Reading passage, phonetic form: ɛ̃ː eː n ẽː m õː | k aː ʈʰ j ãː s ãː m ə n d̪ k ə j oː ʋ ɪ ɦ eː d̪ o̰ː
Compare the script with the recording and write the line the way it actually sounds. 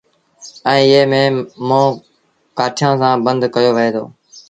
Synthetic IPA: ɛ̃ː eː m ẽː m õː | k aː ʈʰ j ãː s ãː b ə n d̪ k ə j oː ʋ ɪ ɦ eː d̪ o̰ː